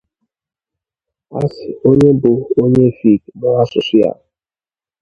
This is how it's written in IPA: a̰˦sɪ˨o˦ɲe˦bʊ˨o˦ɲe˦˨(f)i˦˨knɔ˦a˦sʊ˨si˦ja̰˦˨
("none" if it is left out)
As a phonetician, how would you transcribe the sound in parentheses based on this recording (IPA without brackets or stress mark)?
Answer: f